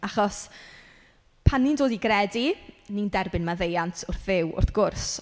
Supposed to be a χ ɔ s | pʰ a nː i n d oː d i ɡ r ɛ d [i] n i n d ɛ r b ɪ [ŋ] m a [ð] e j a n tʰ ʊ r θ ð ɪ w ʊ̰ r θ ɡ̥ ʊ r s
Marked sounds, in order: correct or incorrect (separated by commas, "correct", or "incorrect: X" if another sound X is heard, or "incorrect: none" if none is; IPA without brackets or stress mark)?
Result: correct, incorrect: n, correct